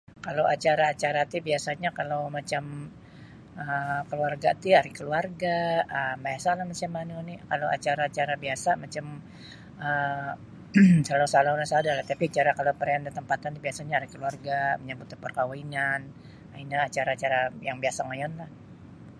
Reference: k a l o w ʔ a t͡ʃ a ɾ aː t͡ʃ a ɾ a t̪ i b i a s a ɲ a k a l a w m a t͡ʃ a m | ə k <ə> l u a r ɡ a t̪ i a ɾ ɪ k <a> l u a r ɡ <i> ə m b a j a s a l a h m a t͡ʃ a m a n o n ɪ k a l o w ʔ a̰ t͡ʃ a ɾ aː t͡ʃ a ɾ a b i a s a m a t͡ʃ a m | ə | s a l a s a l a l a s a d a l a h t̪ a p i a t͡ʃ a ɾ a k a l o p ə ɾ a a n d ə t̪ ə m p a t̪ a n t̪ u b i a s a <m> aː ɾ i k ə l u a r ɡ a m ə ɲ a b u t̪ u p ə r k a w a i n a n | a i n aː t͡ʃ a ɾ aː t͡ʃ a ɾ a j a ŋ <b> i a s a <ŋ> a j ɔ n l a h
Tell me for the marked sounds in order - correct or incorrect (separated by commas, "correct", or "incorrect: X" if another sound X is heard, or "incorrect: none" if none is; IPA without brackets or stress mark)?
correct, incorrect: ə, incorrect: a, incorrect: ɲ, correct, correct